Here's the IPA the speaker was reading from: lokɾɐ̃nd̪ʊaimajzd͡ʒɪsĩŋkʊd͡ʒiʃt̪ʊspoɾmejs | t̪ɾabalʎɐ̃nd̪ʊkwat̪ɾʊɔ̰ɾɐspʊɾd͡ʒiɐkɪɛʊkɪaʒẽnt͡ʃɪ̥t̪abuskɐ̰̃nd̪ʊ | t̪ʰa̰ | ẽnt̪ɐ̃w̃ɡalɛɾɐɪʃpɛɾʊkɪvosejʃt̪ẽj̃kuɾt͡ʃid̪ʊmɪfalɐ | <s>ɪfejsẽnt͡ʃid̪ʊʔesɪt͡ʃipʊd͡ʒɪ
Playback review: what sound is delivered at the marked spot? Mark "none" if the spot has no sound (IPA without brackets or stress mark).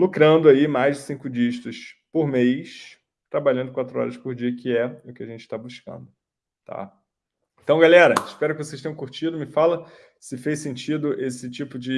s